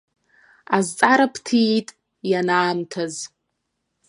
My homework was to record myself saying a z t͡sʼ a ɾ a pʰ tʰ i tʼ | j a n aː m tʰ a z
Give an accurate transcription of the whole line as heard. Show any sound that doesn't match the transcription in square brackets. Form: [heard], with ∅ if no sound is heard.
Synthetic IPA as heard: a z t͡sʼ a ɾ a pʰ tʰ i tʼ | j a n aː m tʰ a z